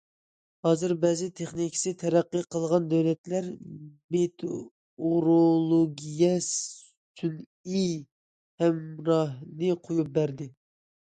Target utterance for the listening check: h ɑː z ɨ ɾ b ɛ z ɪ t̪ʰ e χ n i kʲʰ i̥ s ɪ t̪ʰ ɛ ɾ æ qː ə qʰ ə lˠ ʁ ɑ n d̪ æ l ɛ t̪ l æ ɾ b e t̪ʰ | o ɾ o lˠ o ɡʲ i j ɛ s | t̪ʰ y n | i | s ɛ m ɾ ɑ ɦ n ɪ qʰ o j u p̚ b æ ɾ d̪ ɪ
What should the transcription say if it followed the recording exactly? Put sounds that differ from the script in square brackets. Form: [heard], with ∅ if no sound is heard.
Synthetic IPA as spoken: h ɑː z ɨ ɾ b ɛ z ɪ t̪ʰ e χ n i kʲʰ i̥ s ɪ t̪ʰ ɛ ɾ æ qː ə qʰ ə lˠ ʁ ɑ n d̪ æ l ɛ t̪ l æ ɾ [m] e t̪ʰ | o ɾ o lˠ o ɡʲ i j ɛ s | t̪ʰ y n | i | [h] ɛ m ɾ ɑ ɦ n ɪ qʰ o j u p̚ b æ ɾ d̪ ɪ